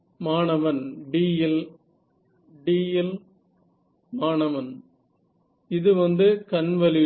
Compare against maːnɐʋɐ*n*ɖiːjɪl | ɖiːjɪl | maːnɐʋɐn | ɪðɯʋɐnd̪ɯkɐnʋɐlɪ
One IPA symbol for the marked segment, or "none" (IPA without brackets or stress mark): n